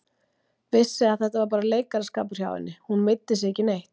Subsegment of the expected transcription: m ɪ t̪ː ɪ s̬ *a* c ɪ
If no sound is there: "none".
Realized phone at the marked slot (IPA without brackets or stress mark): ɛ